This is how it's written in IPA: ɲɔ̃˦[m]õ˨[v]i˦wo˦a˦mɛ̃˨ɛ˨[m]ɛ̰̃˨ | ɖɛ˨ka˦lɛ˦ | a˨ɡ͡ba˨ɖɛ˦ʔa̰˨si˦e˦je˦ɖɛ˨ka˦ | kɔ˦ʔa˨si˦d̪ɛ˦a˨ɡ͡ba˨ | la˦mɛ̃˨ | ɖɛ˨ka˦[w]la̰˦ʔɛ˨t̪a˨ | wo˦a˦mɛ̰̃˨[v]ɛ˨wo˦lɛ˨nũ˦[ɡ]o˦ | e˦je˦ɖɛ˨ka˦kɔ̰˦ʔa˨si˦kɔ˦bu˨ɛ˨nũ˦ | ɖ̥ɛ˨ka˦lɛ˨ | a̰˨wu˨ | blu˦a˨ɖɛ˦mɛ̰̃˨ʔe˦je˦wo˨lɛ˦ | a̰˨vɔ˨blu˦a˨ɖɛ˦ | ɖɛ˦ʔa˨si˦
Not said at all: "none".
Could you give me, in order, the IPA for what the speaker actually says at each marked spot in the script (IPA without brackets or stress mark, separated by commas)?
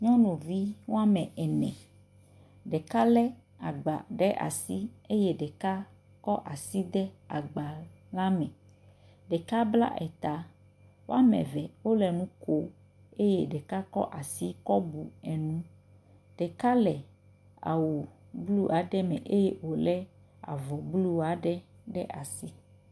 n, v, n, b, v, k